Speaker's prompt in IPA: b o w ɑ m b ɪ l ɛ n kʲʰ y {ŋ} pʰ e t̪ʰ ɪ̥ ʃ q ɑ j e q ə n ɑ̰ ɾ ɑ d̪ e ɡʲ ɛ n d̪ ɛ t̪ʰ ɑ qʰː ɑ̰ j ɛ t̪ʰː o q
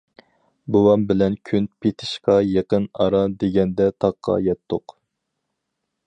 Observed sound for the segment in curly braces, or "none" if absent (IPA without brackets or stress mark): n